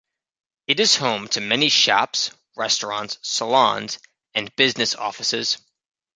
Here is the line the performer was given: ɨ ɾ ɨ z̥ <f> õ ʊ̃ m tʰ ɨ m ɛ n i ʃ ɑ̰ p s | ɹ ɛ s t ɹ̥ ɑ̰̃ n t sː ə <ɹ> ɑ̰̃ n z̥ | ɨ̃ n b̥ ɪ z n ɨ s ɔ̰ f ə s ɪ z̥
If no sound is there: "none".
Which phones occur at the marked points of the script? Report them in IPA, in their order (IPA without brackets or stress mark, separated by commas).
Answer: h, l